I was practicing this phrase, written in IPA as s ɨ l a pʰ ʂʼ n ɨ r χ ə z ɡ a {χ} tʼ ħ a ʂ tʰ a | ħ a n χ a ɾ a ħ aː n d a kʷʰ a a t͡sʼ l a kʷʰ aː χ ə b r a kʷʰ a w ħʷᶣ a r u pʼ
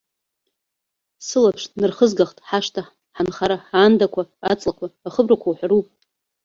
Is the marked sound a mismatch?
no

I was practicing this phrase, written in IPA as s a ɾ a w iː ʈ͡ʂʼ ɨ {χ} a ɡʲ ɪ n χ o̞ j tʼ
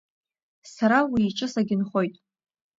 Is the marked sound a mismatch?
yes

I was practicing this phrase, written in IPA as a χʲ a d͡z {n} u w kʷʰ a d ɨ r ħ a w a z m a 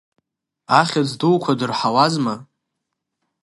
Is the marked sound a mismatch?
yes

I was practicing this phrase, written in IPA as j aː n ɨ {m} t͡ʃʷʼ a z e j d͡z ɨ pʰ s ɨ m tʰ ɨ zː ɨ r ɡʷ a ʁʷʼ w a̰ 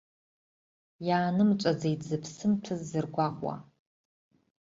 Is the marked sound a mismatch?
no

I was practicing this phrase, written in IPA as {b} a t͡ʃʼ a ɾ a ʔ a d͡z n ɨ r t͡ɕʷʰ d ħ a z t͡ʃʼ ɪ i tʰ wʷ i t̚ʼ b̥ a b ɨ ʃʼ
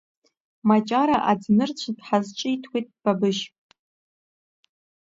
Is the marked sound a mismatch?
yes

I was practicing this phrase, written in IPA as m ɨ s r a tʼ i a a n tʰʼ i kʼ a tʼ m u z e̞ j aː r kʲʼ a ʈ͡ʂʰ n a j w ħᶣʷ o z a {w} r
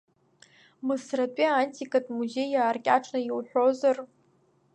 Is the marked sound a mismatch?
yes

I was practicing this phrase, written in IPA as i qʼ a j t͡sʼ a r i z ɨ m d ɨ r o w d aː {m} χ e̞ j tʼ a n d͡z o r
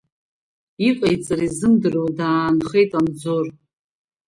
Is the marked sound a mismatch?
yes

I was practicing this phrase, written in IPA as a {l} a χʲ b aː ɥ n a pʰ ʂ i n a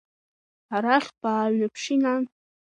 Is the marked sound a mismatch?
yes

